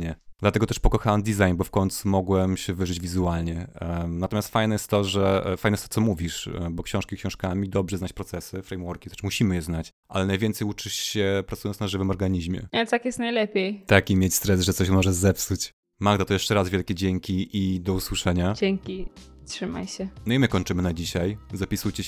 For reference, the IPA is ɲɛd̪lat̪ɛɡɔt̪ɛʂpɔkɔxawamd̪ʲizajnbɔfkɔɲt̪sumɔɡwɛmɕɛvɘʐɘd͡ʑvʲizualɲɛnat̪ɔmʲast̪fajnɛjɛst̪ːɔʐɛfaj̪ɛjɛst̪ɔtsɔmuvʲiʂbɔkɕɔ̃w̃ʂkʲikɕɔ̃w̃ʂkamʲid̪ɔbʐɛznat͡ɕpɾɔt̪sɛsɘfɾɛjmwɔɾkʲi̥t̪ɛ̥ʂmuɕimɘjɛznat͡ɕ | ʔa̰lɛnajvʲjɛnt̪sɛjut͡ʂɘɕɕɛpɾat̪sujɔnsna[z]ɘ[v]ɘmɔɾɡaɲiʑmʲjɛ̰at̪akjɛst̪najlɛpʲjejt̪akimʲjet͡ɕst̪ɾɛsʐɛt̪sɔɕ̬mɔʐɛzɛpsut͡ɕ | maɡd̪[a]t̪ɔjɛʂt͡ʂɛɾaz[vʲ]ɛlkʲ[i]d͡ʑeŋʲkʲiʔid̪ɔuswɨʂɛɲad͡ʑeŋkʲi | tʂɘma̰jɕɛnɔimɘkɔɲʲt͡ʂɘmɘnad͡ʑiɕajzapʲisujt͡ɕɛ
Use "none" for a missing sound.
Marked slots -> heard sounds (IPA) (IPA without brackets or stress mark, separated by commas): ʐ, v, a, vʲ, ɛ